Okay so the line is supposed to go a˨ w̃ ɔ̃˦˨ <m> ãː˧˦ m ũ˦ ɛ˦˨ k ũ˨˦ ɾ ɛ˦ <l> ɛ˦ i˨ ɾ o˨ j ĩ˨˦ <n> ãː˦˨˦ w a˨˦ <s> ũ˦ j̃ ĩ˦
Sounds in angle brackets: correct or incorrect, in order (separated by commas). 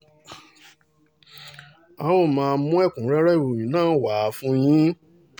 correct, incorrect, correct, incorrect